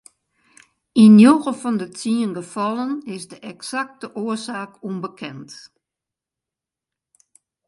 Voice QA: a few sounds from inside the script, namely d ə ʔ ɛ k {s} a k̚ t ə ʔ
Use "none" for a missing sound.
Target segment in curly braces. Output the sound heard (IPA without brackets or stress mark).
s